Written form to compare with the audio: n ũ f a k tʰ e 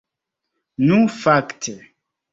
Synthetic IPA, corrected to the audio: n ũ f a k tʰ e